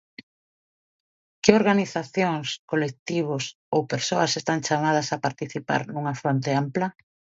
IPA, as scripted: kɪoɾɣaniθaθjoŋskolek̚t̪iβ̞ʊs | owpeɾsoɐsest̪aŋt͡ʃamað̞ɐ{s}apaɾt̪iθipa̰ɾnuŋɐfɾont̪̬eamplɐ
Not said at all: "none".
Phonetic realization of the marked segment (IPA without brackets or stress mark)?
s